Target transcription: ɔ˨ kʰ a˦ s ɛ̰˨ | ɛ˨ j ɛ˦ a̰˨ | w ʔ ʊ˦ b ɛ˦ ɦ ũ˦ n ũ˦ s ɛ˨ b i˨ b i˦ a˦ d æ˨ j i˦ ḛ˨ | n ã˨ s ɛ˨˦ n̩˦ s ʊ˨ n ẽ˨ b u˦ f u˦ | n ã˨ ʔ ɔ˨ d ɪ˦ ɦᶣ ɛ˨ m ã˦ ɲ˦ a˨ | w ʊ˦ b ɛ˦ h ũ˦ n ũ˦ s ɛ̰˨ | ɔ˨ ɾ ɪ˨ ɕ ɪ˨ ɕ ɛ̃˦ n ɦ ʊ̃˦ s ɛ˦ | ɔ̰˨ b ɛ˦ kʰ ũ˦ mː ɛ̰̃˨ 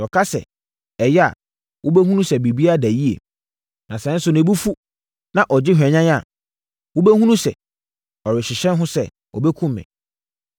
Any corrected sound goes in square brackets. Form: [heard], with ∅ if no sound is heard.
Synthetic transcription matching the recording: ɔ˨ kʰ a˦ s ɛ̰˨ | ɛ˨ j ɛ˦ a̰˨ | w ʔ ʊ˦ b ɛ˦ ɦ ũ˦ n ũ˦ s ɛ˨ b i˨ b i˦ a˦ d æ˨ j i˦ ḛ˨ | n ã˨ s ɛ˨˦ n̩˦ s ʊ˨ n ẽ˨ b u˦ f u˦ | n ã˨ ʔ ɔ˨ [d͡ʑ] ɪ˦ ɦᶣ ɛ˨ [ɲ] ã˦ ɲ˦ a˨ | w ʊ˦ b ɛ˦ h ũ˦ n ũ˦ s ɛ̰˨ | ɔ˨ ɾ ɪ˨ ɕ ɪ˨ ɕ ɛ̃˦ n ɦ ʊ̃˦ s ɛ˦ | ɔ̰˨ b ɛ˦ kʰ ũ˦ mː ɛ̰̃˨